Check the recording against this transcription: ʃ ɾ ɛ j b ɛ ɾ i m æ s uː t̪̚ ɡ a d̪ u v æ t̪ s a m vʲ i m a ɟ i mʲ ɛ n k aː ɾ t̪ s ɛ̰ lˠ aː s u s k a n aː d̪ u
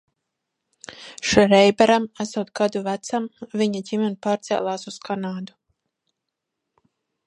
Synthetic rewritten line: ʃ ɾ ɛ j b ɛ ɾ a m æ s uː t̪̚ ɡ a d̪ u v æ t̪ s a m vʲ i ɲ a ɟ i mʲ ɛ n p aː ɾ t̪ s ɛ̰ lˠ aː s u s k a n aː d̪ u